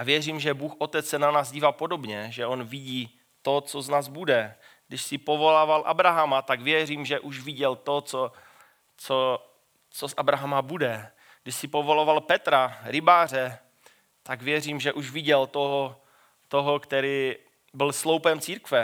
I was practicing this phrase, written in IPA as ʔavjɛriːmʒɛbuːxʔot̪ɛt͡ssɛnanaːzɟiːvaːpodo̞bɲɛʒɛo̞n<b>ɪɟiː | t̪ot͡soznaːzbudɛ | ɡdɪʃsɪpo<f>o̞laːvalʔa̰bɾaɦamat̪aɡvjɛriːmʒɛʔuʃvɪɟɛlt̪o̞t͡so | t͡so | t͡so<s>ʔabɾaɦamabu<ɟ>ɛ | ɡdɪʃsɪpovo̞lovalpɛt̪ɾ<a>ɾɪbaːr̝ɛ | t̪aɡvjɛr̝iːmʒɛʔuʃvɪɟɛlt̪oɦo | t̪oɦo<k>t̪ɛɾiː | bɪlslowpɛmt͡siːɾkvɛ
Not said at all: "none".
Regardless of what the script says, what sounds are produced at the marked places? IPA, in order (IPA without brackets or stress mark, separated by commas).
v, v, s, d, a, k